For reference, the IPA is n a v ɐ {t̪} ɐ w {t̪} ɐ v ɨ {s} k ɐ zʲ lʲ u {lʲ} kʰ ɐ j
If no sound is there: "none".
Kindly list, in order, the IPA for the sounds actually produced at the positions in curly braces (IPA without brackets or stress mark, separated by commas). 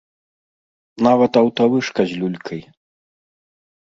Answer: t̪, t̪, ʂ, lʲ